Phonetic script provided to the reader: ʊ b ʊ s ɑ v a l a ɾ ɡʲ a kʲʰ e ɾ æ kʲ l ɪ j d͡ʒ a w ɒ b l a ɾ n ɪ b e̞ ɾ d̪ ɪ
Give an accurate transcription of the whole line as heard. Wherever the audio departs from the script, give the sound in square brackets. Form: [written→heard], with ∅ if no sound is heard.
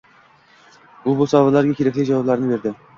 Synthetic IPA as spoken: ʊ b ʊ s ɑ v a l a ɾ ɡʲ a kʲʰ e ɾ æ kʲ l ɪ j d͡ʒ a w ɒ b l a ɾ n ɪ b e̞ ɾ d̪ ɪ

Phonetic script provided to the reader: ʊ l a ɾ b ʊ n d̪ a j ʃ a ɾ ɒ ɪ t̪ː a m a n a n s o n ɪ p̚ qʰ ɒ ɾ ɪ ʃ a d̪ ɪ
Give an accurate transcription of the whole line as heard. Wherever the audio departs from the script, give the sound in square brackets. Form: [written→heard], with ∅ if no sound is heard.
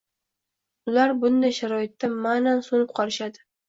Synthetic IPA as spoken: ʊ l a ɾ b ʊ n d̪ a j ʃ a ɾ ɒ ɪ t̪ː a m a n a n s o n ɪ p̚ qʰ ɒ ɾ ɪ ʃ a d̪ ɪ

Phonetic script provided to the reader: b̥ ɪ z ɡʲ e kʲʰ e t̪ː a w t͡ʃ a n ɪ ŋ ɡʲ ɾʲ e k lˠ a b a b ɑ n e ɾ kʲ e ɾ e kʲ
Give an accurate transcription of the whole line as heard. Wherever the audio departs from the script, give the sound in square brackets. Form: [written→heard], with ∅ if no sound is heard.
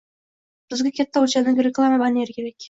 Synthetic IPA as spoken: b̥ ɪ z ɡʲ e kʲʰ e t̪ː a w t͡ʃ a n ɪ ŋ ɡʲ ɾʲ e k lˠ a [b→m] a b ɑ n e ɾ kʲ e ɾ e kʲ

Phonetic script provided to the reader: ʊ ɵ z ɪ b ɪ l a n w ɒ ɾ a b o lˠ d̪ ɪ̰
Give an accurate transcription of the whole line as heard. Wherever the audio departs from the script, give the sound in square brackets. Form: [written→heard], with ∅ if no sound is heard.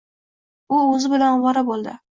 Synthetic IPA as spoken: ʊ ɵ z ɪ b ɪ l a n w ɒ ɾ a b o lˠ d̪ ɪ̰

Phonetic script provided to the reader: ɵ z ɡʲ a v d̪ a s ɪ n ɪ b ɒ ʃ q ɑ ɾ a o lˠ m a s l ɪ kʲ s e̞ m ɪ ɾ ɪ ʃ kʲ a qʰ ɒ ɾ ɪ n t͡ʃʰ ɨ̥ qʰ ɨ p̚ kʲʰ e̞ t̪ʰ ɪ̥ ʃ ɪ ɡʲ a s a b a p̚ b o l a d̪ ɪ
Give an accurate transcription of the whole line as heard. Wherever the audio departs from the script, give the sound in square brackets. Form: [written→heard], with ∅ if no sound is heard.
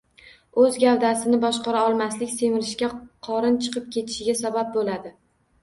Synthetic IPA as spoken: ɵ z ɡʲ a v d̪ a s ɪ n ɪ b ɒ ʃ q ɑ ɾ a [o→ɒ] lˠ m a s l ɪ kʲ s e̞ m ɪ ɾ ɪ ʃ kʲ a qʰ ɒ ɾ ɪ n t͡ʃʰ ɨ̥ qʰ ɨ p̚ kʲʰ e̞ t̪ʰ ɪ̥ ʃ ɪ ɡʲ a s a b a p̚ b o l a d̪ ɪ

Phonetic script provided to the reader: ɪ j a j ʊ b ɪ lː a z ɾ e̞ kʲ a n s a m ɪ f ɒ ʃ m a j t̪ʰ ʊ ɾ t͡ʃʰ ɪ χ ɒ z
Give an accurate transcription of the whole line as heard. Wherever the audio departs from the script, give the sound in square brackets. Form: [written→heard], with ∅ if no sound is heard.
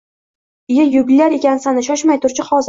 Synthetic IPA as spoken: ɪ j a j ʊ b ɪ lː a [z→∅] ɾ e̞ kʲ a n s a [m→n] ɪ [f→ʃ] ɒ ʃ m a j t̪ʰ ʊ ɾ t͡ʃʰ ɪ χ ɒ z

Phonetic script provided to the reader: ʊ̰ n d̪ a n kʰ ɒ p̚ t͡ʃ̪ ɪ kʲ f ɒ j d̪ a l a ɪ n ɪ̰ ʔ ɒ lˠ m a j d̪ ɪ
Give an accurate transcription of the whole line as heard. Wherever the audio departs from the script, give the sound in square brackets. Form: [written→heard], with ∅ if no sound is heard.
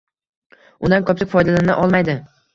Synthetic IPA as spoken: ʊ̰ n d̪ a n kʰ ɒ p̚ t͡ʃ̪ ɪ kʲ f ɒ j d̪ a l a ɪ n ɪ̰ ʔ ɒ lˠ m a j d̪ ɪ

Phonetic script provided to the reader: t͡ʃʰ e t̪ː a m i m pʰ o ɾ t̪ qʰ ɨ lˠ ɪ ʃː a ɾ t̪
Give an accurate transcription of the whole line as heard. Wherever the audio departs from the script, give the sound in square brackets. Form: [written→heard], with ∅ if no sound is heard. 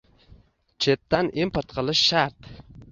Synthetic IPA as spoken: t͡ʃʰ e t̪ː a [m→n] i m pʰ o ɾ t̪ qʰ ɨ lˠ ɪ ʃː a ɾ t̪

